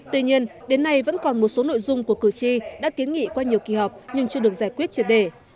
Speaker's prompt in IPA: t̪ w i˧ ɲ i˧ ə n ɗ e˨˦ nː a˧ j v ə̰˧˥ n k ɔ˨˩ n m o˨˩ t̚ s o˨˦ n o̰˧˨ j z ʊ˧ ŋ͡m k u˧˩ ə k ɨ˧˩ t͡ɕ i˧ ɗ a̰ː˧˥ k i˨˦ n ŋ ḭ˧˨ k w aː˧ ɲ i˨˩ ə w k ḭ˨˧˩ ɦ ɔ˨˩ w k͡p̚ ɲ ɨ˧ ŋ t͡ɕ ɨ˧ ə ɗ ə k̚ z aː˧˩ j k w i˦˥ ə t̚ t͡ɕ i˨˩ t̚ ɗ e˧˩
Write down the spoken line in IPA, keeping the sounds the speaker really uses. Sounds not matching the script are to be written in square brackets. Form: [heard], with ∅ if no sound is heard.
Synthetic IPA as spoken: t̪ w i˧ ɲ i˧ ə n ɗ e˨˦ nː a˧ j v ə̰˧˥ n k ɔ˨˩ n m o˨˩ t̚ s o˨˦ n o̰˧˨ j z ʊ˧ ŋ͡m k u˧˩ ə k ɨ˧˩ t͡ɕ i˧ ɗ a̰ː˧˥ k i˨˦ n ŋ ḭ˧˨ k w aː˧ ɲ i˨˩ ə w k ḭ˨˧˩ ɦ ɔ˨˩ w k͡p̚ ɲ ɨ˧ ŋ t͡ɕ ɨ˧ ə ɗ ə k̚ z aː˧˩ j k w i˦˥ ə t̚ t͡ɕ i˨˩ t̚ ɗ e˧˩